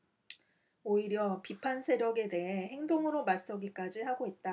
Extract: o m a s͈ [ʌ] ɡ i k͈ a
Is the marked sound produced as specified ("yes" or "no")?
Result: yes